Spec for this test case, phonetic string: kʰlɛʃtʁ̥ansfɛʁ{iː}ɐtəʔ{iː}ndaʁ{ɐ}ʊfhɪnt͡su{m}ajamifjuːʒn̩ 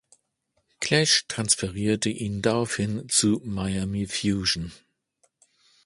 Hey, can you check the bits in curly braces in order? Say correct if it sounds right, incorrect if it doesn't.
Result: correct, correct, incorrect: a, correct

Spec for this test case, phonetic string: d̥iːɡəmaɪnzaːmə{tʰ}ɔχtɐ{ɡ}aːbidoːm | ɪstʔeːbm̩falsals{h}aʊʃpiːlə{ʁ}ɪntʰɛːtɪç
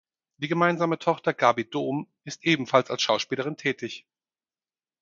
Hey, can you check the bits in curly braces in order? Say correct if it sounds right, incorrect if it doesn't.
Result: correct, correct, incorrect: ʃ, correct

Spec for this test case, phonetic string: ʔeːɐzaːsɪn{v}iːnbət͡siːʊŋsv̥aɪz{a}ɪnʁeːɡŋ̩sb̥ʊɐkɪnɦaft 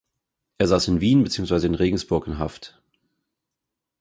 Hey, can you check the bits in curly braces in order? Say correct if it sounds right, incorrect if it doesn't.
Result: correct, incorrect: ə

